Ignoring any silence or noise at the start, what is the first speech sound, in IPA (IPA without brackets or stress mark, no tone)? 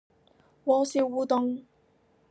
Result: w